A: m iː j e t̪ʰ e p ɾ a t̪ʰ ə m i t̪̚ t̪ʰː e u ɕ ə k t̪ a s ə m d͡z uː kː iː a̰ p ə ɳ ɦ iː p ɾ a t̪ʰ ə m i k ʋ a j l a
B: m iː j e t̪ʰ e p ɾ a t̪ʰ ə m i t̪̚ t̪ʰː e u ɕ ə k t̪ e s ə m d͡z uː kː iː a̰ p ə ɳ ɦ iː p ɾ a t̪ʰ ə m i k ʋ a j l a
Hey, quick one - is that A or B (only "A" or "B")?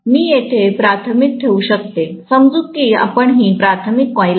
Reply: B